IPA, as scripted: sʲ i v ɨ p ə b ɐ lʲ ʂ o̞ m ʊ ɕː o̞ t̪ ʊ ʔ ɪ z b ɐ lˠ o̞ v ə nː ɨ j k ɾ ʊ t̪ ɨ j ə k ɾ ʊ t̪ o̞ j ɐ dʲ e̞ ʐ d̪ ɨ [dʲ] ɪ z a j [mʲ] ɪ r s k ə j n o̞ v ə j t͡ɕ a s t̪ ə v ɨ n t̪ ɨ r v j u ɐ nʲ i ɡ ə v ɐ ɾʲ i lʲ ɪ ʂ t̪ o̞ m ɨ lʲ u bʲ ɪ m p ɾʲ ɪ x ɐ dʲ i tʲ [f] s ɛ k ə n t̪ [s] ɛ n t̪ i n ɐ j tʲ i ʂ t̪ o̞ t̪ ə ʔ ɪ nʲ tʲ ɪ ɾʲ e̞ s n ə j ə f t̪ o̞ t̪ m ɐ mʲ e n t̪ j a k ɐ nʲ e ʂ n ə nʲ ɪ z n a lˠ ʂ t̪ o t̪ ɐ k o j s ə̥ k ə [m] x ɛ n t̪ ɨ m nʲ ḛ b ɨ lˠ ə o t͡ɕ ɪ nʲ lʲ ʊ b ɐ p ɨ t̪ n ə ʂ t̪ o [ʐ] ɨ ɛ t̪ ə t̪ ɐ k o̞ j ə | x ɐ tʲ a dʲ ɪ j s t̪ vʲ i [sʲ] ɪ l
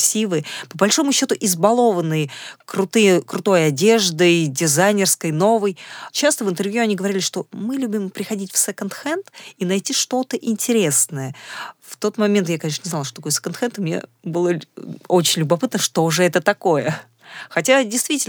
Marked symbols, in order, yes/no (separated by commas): yes, no, yes, no, no, yes, no